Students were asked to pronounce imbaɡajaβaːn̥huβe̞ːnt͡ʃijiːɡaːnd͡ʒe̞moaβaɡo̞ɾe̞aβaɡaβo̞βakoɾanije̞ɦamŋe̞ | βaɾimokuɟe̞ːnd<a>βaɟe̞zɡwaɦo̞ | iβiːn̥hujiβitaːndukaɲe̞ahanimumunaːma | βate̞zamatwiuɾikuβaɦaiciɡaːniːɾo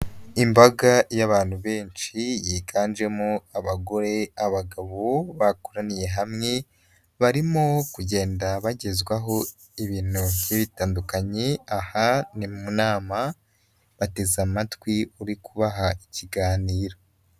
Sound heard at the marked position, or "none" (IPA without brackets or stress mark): a